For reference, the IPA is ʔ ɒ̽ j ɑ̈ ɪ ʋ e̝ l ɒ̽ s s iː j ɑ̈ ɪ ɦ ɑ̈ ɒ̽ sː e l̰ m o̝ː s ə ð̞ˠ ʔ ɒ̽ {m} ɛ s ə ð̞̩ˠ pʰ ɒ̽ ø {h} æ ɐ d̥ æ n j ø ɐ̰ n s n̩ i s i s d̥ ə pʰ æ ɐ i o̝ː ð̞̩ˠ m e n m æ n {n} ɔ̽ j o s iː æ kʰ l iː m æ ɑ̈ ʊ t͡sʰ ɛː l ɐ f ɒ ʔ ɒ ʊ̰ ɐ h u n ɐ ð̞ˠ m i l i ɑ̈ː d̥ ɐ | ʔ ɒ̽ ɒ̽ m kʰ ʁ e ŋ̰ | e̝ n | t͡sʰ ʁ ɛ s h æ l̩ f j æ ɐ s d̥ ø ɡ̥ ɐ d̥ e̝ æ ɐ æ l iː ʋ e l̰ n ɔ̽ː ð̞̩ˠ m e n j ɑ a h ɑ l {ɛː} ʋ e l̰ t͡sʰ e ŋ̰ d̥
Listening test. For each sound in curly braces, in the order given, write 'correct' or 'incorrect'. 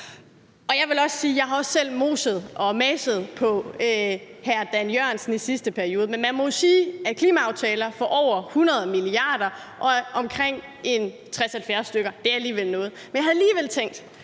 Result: correct, correct, incorrect: m, incorrect: iː

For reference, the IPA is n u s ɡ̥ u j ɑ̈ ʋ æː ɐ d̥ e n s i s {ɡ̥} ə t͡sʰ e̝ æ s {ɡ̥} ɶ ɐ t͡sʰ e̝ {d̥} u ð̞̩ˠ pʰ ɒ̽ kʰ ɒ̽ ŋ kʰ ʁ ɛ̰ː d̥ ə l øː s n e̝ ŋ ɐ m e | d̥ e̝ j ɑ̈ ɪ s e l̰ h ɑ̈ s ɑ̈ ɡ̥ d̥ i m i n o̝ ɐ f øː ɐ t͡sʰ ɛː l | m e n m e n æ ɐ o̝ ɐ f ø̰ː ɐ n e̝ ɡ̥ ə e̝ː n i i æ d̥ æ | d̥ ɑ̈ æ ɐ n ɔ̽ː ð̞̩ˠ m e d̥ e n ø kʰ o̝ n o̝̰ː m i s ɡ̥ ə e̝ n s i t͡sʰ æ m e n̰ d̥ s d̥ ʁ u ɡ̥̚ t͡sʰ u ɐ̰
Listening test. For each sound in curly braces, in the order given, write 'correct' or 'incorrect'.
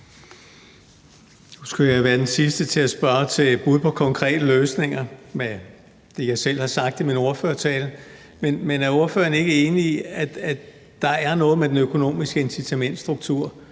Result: incorrect: d̥, incorrect: b̥, incorrect: b̥

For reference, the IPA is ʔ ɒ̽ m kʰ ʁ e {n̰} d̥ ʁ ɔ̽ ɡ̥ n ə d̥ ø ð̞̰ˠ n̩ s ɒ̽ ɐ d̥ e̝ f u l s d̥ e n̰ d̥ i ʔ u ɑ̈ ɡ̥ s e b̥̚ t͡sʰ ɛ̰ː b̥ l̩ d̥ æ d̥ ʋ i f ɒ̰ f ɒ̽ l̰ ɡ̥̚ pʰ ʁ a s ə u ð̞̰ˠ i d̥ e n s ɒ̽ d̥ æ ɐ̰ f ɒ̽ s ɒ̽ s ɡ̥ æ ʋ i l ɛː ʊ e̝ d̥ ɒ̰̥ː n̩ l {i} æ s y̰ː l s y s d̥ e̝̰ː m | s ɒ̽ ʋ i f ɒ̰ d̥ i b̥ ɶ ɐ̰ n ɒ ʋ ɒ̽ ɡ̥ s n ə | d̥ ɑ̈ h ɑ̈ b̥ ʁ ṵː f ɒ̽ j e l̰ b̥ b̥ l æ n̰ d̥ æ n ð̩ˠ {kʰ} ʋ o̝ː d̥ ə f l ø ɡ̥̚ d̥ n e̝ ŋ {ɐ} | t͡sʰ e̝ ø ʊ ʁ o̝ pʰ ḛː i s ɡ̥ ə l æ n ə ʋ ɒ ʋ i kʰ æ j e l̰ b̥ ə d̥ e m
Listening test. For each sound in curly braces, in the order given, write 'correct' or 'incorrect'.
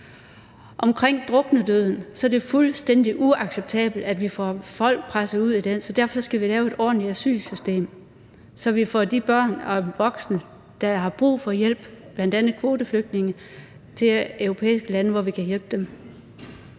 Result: incorrect: ŋ̰, correct, correct, incorrect: ə

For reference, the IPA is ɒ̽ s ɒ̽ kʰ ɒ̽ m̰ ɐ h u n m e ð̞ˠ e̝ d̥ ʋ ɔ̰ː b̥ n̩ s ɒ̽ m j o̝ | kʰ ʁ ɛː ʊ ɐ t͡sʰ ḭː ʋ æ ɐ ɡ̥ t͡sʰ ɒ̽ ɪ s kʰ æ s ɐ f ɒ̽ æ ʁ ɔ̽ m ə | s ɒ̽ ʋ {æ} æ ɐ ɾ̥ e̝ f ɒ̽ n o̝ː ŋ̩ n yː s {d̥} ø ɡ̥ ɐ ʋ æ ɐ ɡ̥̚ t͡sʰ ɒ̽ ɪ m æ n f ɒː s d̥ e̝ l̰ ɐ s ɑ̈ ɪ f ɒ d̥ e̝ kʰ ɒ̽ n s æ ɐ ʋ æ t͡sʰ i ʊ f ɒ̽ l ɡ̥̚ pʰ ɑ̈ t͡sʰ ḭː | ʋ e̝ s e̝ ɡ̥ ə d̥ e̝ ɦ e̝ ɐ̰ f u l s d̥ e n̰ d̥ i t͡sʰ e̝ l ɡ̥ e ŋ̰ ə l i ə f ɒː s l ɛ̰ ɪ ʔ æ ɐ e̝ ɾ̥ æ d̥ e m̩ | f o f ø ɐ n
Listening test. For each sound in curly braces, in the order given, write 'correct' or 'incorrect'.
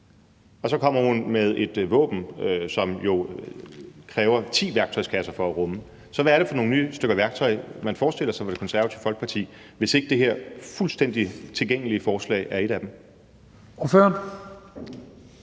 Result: correct, correct

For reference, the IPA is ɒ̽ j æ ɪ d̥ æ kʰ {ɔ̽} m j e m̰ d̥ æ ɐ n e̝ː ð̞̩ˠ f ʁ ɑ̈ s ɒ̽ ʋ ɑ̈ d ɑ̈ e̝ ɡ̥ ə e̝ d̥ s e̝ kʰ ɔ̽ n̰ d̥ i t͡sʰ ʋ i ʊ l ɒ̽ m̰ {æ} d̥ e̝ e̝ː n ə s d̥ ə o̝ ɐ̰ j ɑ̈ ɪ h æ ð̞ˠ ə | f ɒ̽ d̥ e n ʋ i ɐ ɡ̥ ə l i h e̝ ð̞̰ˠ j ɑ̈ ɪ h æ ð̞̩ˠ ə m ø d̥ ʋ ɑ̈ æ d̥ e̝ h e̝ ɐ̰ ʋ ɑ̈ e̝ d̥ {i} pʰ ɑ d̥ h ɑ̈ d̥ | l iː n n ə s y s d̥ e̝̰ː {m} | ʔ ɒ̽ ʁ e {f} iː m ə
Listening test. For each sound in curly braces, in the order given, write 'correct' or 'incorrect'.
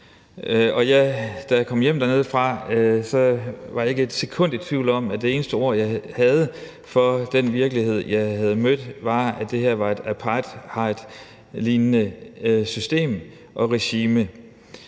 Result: incorrect: ɒ̽, correct, incorrect: æ, correct, incorrect: ɕ

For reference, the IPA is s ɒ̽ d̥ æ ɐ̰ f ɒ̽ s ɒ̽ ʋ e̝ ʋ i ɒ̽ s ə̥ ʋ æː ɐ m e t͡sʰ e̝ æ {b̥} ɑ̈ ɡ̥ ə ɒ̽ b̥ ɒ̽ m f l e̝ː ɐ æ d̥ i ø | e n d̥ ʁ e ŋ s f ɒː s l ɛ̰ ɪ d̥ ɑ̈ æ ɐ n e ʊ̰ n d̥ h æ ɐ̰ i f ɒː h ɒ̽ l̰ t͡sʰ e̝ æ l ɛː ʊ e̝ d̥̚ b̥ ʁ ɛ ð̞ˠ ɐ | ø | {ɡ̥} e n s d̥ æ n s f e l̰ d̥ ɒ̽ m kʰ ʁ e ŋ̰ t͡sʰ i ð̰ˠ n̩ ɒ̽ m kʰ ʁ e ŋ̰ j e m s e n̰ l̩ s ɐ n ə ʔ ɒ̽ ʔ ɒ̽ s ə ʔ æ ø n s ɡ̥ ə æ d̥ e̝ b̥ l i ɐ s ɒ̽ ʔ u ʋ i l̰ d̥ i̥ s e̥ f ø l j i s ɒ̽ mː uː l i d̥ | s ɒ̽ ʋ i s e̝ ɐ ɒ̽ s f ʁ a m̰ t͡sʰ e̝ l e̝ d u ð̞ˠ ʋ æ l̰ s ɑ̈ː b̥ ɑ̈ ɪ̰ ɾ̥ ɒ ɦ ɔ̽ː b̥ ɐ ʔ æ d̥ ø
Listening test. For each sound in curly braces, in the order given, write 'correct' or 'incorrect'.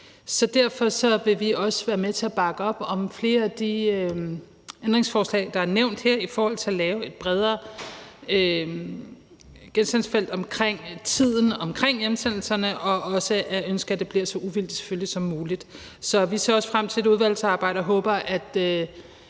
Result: correct, correct

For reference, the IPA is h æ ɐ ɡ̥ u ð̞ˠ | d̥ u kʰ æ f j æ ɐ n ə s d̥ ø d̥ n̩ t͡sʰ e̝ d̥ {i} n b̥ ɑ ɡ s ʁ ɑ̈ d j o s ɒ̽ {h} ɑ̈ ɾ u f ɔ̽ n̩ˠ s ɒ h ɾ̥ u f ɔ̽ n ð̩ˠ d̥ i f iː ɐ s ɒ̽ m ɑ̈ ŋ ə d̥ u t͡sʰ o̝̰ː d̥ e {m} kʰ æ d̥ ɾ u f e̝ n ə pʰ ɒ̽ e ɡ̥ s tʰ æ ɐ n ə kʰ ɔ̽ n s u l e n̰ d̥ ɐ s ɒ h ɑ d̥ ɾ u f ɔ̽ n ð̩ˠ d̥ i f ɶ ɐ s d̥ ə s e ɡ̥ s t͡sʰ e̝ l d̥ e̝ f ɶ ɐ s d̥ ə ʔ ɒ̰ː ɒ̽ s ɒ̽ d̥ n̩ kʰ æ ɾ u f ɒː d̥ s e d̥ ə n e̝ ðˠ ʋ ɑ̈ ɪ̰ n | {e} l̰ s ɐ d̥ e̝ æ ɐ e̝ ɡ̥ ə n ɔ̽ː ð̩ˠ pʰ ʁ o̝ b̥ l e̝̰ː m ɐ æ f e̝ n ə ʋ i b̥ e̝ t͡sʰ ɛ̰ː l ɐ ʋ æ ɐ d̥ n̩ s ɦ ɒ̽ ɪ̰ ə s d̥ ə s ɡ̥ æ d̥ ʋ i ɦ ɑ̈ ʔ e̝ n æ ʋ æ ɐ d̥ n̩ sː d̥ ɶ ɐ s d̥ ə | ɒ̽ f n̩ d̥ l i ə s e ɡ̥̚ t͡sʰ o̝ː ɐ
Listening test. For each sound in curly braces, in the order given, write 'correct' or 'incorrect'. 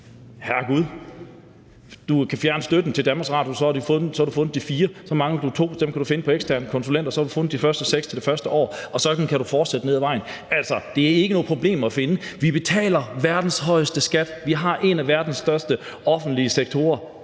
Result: incorrect: æ, correct, correct, incorrect: æ

